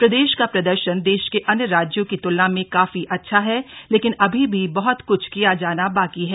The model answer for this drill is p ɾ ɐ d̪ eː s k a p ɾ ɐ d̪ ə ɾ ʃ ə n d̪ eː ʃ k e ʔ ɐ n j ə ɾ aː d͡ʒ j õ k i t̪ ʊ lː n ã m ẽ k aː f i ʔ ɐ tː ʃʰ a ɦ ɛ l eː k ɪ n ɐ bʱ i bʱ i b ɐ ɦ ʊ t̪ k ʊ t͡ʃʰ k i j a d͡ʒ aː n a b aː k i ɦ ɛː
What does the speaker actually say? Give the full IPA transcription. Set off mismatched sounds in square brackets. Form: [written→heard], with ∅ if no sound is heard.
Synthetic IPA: p ɾ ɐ d̪ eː [s→ʃ] k a p ɾ ɐ d̪ ə ɾ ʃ ə n d̪ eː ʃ k e ʔ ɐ n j ə ɾ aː d͡ʒ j õ k i t̪ ʊ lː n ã m ẽ k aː f i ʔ ɐ tː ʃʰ a ɦ ɛ l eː k ɪ n ɐ bʱ i bʱ i b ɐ ɦ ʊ t̪ k ʊ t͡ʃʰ k i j a d͡ʒ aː n a b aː k i ɦ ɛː